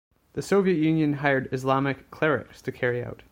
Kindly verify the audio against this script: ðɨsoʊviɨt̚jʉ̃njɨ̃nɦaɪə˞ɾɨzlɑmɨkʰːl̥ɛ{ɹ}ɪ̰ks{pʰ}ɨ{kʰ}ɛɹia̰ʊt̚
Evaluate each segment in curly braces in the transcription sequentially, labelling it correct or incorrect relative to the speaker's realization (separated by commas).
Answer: correct, incorrect, correct